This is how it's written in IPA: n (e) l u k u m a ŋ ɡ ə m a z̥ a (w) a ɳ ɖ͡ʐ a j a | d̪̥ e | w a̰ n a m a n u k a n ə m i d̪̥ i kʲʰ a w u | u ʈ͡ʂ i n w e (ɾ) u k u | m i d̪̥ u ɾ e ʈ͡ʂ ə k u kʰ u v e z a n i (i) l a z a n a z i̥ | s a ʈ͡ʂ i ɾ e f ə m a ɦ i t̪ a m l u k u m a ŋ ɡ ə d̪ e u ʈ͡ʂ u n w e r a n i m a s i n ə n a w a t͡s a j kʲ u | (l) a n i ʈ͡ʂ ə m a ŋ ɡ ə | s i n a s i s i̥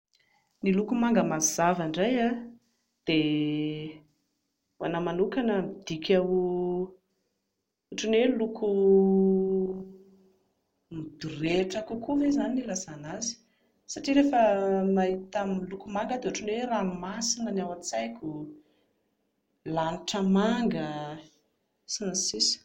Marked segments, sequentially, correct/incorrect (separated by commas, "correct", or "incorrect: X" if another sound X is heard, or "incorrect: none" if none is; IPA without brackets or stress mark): incorrect: i, incorrect: v, incorrect: l, correct, correct